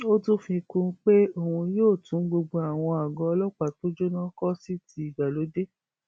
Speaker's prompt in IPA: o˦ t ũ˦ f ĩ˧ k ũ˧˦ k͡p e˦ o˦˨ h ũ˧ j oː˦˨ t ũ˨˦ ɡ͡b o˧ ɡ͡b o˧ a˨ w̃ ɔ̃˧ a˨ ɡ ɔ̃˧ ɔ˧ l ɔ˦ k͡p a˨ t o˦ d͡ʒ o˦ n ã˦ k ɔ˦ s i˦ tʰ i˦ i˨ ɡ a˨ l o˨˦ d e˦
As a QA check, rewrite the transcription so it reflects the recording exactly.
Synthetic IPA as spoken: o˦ t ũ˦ f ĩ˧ k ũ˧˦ k͡p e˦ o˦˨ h ũ˧ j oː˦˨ t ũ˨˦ ɡ͡b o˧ ɡ͡b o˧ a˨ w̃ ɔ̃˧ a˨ ɡ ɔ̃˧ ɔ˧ l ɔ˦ k͡p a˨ t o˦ d͡ʒ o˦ n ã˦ k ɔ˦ s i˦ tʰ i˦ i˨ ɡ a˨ l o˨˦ d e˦

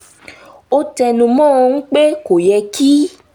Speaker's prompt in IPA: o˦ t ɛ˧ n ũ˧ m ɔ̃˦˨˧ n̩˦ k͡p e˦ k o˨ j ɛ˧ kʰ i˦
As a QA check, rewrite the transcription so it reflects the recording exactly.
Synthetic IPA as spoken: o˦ t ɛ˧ n ũ˧ m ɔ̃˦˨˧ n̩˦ k͡p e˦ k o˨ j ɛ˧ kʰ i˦

